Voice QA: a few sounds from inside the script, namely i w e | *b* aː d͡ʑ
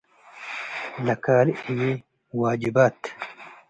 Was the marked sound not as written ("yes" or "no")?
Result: yes